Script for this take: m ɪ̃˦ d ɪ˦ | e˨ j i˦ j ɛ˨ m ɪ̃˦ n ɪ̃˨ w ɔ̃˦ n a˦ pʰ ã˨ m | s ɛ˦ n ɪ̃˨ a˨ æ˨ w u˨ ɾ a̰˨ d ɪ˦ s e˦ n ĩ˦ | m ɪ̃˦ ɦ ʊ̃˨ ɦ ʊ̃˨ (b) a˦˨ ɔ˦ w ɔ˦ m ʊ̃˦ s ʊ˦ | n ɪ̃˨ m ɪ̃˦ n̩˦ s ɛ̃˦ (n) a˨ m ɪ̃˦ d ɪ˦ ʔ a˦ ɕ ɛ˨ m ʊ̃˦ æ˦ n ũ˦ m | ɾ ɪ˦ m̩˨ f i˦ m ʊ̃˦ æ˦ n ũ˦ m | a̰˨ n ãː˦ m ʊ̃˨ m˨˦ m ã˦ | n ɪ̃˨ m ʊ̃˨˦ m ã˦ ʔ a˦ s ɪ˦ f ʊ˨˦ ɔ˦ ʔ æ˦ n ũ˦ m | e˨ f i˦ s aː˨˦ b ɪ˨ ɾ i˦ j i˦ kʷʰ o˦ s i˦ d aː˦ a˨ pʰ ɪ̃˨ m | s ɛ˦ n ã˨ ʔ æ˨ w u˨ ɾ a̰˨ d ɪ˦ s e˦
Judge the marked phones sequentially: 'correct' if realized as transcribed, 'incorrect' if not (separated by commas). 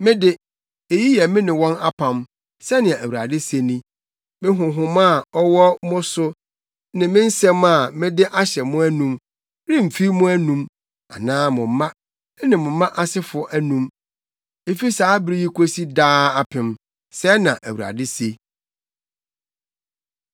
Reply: incorrect, incorrect